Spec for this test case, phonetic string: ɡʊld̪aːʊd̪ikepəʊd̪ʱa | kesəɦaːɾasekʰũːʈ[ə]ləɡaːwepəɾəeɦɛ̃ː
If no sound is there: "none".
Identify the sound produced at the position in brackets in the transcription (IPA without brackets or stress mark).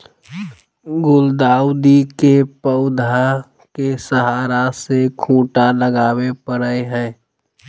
a